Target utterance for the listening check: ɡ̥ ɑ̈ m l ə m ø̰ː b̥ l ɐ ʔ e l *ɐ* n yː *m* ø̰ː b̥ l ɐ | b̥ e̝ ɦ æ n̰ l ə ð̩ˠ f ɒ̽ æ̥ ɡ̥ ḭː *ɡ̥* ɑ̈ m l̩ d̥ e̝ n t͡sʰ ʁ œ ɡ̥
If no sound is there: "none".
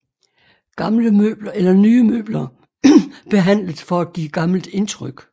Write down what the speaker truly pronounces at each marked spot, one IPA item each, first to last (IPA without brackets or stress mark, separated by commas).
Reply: ɐ, m, ɡ̥